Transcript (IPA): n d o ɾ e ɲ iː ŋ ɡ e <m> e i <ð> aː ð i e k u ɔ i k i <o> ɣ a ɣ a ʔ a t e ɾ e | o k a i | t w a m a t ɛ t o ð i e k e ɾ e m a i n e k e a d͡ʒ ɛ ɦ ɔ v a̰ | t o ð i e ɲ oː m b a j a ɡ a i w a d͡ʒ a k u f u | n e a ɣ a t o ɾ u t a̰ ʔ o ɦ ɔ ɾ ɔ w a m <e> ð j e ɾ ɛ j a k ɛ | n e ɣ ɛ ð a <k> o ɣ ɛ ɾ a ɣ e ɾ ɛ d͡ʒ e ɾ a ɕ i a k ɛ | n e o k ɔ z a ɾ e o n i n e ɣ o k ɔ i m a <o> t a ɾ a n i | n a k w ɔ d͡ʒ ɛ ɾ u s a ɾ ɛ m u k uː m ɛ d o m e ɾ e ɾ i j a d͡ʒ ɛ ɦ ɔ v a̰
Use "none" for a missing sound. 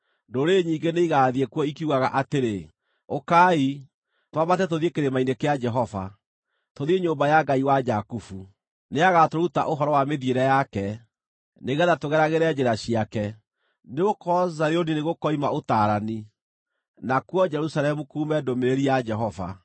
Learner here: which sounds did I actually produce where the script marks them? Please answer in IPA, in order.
n, ɣ, u, e, t, o

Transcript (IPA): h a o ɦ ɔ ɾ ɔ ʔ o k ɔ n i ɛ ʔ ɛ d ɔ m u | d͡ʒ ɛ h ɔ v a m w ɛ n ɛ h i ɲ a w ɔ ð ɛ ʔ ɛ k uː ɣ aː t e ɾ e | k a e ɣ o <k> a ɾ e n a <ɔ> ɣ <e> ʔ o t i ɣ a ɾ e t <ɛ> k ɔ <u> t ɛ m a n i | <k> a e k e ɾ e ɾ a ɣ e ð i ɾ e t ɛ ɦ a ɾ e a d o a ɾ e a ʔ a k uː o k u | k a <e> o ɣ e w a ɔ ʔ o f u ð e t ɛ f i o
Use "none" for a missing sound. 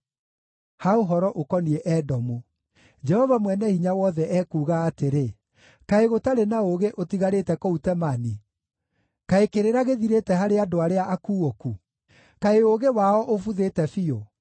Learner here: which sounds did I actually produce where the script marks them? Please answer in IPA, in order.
t, o, e, ɛ, u, k, e

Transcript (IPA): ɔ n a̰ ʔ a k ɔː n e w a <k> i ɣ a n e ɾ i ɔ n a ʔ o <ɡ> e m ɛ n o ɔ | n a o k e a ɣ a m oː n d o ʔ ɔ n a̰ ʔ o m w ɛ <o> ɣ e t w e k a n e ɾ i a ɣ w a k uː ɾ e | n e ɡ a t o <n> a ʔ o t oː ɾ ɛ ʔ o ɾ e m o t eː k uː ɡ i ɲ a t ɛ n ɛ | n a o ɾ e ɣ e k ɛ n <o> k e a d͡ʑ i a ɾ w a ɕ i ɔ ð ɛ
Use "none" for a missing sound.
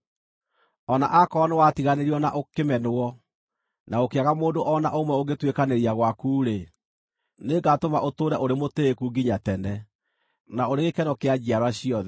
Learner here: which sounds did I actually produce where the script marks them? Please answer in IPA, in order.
t, k, o, m, ɔ

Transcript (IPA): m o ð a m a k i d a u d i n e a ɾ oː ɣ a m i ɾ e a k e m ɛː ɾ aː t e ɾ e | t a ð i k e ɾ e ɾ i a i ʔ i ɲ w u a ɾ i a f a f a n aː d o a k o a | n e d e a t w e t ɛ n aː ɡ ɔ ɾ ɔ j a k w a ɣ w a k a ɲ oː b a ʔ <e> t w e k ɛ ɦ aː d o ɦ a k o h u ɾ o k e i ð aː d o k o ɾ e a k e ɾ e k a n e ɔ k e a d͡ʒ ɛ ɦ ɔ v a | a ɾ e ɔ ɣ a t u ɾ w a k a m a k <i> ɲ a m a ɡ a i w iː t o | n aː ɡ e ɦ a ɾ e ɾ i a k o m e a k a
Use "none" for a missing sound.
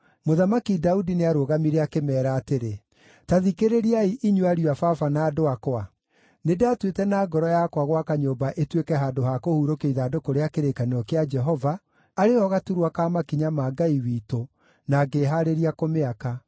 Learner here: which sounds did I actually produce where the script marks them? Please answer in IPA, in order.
e, i

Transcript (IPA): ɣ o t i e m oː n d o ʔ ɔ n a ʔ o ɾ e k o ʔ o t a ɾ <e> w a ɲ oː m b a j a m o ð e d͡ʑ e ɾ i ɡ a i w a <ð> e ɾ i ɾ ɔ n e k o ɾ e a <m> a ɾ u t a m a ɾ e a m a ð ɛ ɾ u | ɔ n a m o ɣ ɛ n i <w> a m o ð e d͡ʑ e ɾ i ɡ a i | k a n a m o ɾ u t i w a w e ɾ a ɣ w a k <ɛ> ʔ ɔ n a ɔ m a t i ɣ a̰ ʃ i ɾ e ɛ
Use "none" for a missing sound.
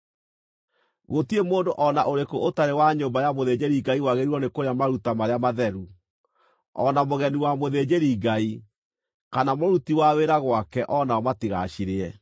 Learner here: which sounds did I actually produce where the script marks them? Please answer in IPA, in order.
e, ɣ, m, w, ɛ

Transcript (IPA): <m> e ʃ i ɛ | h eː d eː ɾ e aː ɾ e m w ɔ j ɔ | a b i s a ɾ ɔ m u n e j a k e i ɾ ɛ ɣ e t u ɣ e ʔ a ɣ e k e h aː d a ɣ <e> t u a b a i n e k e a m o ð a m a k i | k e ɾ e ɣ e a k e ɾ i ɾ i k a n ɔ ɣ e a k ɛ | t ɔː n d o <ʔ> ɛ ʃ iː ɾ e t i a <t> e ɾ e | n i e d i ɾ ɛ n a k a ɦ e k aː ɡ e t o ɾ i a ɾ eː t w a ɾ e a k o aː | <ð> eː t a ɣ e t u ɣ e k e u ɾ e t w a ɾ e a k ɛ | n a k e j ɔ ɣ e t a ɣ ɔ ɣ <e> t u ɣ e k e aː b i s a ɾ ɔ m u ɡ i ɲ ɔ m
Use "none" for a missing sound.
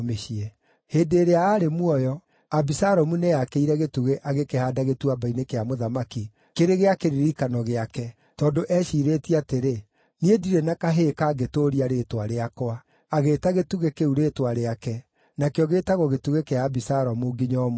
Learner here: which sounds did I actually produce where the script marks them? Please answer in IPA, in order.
m, e, ʔ, t, ɣ, e

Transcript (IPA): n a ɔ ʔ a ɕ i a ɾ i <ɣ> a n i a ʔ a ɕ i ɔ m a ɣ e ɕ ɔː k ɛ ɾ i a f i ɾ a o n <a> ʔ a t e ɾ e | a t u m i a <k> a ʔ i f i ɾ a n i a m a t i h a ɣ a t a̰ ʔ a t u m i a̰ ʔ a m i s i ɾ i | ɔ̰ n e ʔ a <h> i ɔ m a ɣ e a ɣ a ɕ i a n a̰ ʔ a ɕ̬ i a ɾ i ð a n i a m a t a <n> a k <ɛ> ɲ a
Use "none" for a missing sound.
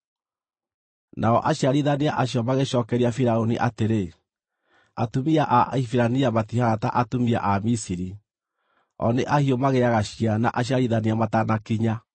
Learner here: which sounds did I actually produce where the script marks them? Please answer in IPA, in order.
ð, i, ʔ, h, n, i

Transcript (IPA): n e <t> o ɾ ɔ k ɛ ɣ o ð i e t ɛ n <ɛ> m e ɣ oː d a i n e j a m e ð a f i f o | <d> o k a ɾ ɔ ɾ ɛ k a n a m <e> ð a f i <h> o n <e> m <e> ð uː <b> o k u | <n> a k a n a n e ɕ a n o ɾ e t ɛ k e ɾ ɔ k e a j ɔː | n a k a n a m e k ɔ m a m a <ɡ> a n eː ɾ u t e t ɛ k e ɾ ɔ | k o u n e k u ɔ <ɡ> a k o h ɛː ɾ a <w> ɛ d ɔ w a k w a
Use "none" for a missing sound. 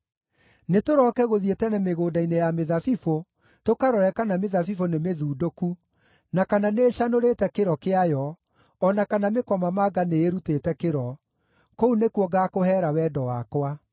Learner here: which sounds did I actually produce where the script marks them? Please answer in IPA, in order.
t, ɛ, t, e, f, e, e, d, n, ɡ, ɡ, w

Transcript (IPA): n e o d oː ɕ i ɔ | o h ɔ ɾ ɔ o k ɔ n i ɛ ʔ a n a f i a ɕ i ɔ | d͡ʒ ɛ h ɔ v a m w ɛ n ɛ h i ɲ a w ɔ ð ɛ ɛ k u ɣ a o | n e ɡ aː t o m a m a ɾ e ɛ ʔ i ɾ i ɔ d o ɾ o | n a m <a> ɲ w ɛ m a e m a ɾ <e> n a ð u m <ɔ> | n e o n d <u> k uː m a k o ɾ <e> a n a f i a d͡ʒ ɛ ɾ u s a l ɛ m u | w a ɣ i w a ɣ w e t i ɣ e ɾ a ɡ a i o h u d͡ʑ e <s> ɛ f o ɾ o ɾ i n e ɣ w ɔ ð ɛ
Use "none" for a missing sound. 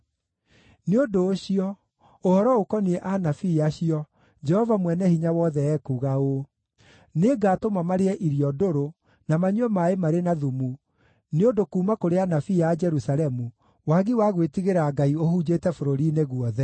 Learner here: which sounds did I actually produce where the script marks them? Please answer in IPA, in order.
a, e, u, o, e, t

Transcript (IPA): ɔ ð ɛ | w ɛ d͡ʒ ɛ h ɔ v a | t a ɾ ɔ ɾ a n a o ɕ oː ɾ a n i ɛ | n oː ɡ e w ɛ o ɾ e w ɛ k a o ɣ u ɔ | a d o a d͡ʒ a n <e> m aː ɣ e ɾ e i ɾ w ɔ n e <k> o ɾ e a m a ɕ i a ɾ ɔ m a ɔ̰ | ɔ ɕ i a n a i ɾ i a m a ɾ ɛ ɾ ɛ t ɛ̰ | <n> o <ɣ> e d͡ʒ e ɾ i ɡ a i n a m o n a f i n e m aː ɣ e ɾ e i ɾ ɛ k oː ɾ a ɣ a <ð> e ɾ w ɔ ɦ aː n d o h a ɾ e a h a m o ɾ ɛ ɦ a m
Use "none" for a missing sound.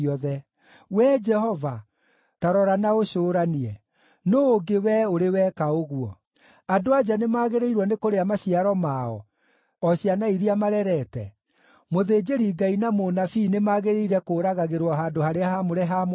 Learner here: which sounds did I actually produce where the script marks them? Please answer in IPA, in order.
e, k, m, ð, ɣ

